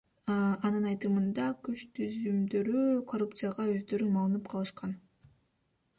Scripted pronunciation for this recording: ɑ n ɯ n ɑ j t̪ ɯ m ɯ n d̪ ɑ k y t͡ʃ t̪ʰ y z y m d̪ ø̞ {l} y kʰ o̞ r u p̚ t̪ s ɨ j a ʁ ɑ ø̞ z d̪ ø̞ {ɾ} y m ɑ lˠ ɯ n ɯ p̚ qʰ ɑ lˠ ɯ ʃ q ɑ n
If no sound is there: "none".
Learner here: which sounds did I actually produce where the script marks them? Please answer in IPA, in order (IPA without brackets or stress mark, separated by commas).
ɾ, ɾ